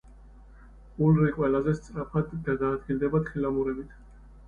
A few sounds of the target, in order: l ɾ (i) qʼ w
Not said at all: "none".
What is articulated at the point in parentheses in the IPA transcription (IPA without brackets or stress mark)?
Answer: i